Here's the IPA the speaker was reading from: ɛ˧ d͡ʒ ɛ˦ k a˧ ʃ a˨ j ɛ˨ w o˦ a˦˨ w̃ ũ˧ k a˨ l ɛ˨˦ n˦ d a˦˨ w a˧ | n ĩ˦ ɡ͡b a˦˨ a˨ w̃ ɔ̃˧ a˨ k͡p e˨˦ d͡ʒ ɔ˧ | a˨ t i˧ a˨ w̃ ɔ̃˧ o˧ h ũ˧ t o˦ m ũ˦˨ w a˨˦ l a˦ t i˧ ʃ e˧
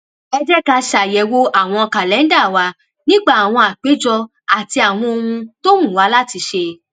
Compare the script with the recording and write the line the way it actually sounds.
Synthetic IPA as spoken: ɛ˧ d͡ʒ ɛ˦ k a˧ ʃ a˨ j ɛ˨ w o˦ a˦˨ w̃ ɔ̃˧ k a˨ l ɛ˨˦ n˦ d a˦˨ w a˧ | n ĩ˦ ɡ͡b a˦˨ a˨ w̃ ɔ̃˧ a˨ k͡p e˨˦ d͡ʒ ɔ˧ | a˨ t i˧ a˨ w̃ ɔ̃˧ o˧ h ũ˧ t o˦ m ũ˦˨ w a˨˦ l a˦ t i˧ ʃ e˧

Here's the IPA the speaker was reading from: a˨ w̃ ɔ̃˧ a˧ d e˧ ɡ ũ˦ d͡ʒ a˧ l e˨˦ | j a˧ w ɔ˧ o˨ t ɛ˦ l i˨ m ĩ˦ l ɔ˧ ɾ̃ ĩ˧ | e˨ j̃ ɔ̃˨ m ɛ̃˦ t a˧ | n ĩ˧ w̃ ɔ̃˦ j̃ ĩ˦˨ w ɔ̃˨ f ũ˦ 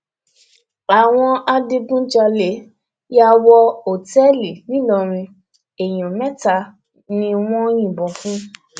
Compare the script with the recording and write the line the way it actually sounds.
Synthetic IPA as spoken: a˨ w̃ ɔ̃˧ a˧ d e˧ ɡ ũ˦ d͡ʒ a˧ l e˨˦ | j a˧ w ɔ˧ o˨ t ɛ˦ l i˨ n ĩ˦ l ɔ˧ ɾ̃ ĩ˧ | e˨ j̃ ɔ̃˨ m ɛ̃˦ t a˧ | n ĩ˧ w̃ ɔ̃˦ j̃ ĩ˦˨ b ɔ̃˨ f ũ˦

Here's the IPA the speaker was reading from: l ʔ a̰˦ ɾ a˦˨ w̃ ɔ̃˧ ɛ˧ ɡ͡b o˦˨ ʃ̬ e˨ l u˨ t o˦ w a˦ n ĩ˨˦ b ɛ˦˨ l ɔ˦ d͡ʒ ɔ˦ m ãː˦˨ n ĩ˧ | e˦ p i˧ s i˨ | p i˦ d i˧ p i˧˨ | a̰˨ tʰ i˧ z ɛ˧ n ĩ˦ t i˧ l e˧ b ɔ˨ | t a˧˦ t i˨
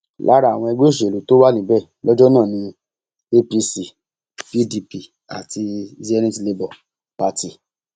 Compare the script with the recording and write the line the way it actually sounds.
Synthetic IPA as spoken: l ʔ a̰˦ ɾ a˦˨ w̃ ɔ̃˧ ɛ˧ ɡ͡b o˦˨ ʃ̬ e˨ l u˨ t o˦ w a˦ n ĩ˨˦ b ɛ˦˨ l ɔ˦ d͡ʒ ɔ˦ n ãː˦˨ n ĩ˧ | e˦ p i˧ s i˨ | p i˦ d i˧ p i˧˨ | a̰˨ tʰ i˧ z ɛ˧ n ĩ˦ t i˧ l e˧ b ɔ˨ | p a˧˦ t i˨

